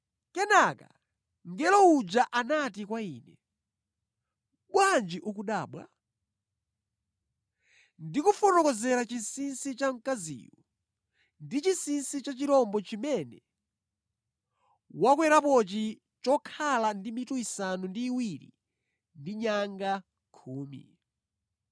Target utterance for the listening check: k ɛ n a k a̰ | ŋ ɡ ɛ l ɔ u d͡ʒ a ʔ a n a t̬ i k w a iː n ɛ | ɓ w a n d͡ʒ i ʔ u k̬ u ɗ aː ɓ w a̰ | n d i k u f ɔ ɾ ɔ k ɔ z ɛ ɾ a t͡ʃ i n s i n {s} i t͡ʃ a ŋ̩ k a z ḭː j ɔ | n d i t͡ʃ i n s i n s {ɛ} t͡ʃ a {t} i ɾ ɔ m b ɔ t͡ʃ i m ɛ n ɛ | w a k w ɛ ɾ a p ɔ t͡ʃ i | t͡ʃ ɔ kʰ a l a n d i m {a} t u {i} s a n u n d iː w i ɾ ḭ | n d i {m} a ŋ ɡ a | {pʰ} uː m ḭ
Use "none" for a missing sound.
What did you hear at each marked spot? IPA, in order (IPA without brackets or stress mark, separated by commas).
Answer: s, i, t͡ʃ, i, i, ɲ, kʰ